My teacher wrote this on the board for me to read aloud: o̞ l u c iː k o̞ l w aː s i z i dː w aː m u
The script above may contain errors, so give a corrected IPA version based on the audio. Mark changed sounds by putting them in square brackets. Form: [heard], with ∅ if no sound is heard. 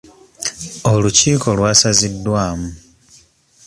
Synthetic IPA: o̞ l u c iː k o̞ l w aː s [a] z i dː w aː m u